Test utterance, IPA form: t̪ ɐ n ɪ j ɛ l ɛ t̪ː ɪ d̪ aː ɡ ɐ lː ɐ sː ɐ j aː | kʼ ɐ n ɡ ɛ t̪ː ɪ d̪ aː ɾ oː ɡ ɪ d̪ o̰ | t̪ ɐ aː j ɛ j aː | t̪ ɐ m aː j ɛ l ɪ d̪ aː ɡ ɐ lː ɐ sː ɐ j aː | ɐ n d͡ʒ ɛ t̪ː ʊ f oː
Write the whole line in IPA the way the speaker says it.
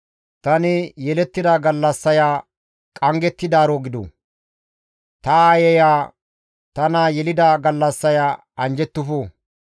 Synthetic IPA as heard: t̪ ɐ n ɪ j ɛ l ɛ t̪ː ɪ d̪ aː ɡ ɐ lː ɐ sː ɐ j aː | kʼ ɐ ŋ ɡ ɛ t̪ː ɪ d̪ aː ɾ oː ɡ ɪ d̪ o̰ | t̪ ɐ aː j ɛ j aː | t̪ ɐ n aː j ɛ l ɪ d̪ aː ɡ ɐ lː ɐ sː ɐ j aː | ɐ n d͡ʒ ɛ t̪ː ʊ f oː